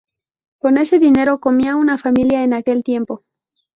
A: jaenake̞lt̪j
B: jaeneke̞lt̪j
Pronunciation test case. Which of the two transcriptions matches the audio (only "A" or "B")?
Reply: A